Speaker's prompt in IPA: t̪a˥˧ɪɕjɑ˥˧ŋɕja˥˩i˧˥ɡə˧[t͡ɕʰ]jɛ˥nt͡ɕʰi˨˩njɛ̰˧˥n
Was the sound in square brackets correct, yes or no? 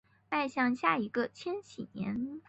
yes